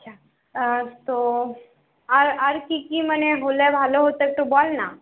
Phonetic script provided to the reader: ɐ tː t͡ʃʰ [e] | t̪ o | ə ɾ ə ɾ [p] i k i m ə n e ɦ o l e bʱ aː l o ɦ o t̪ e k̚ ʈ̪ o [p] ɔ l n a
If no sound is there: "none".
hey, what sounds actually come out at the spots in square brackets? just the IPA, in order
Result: a, k, b

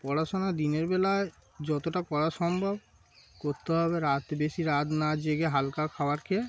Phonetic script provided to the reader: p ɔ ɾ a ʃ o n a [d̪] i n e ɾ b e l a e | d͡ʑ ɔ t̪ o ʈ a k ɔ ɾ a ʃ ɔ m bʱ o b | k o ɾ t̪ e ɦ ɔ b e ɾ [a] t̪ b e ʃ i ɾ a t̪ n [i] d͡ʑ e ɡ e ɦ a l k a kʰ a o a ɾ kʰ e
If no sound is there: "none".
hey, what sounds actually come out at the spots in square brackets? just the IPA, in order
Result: d̪, a, a

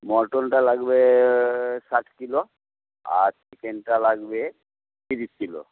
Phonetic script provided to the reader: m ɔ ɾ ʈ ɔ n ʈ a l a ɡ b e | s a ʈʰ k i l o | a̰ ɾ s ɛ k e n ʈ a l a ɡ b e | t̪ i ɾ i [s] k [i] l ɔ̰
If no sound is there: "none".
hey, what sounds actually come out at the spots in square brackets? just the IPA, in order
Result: s, i

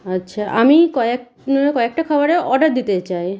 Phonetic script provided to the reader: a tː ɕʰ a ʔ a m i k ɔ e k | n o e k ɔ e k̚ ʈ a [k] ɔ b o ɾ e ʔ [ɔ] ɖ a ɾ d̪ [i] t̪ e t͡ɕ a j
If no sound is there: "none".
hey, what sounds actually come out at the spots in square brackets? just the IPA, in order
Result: kʰ, ɔ, i

